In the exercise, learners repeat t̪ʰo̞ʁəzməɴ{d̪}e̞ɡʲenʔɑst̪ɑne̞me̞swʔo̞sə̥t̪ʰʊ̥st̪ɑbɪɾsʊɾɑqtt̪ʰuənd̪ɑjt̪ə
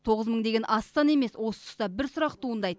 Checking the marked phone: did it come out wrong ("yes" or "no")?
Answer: no